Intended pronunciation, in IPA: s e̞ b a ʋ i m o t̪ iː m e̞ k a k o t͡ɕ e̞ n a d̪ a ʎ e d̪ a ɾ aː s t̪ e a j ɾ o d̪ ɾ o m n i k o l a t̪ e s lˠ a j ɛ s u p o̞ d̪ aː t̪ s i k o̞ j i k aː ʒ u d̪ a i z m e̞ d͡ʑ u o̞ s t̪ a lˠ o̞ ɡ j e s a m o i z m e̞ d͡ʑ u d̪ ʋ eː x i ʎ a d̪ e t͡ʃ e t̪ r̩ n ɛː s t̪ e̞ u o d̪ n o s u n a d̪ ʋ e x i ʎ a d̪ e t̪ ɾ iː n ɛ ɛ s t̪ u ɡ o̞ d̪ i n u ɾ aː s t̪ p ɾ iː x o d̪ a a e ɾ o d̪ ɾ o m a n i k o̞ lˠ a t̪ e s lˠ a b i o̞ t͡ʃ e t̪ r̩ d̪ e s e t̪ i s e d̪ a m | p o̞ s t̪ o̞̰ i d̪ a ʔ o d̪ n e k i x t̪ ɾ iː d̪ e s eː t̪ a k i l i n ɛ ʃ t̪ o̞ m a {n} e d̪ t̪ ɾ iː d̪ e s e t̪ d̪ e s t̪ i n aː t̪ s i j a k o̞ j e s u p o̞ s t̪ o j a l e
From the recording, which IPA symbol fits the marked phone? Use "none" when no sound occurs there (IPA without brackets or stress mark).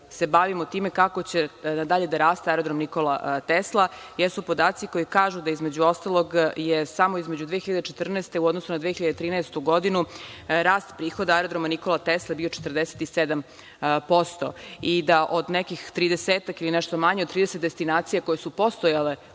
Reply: ɲ